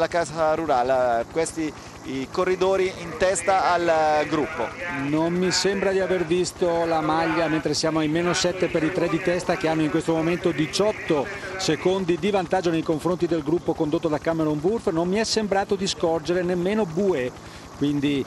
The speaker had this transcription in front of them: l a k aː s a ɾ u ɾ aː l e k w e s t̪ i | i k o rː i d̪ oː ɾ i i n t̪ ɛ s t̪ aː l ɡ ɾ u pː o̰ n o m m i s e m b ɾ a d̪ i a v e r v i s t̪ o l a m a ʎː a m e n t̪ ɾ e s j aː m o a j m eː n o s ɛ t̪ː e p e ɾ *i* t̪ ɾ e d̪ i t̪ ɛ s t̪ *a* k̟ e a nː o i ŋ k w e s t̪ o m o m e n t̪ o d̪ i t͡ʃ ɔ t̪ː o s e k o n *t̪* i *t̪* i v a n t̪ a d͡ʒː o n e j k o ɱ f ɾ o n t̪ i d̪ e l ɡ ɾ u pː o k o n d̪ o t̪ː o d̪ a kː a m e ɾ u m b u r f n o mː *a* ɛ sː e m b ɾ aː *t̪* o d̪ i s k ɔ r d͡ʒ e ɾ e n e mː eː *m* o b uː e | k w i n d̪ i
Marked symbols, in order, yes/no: yes, yes, no, no, no, yes, no

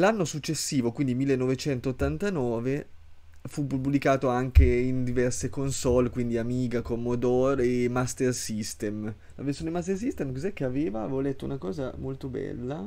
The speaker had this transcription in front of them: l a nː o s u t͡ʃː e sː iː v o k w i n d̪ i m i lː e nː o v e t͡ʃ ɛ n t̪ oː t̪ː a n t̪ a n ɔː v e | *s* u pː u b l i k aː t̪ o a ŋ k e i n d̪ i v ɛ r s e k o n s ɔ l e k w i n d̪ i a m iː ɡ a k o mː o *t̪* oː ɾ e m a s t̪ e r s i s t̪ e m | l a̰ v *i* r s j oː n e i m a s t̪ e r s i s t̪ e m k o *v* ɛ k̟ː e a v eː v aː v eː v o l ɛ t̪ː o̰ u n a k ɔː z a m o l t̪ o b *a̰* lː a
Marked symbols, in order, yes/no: no, no, no, no, no

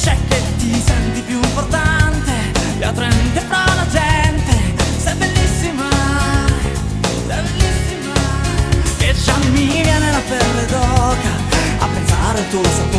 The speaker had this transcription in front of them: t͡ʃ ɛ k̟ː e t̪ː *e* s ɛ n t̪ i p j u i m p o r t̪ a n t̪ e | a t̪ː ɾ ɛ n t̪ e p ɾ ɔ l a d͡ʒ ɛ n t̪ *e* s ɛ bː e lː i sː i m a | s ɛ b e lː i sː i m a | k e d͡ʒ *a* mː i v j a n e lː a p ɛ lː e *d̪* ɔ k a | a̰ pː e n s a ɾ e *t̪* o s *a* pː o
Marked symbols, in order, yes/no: no, yes, yes, yes, yes, yes

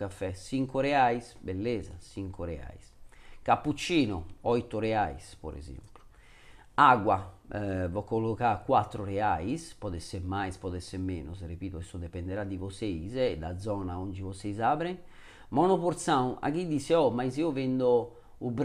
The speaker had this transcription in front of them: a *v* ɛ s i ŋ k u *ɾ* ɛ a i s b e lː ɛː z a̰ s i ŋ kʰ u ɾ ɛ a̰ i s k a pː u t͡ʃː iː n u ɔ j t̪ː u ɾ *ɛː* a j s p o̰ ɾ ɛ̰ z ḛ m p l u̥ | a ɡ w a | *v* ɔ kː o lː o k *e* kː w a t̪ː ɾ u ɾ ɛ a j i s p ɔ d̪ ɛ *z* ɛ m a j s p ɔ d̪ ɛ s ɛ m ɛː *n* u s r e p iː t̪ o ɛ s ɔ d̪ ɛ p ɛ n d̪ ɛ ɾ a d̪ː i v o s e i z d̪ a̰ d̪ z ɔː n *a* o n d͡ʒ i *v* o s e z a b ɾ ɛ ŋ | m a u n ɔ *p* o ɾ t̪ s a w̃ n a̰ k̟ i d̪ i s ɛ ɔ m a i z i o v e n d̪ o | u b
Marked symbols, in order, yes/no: no, yes, no, yes, no, no, yes, yes, yes, yes

